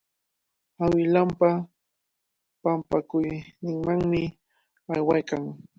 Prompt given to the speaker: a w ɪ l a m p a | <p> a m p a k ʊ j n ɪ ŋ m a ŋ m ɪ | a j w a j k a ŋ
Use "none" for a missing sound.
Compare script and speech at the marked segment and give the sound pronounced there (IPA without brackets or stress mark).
p